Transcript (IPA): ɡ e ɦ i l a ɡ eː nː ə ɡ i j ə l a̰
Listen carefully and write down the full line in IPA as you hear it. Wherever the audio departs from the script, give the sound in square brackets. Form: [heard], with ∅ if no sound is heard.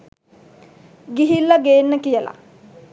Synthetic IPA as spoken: ɡ [i] ɦ i [lː] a ɡ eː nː ə [k] i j ə l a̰